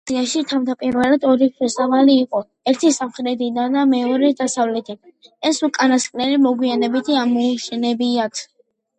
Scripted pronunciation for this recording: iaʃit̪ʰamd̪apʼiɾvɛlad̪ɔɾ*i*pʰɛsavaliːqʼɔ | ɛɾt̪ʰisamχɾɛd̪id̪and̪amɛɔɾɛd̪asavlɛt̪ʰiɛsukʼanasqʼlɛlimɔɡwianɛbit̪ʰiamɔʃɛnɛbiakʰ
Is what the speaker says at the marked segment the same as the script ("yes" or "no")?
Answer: yes